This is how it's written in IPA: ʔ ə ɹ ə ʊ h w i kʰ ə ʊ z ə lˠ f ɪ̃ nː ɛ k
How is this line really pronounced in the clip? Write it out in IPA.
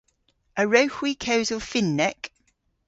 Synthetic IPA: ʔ ə ɹ ə ʊ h w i kʰ ə ʊ z ə lˠ f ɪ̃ nː ɛ k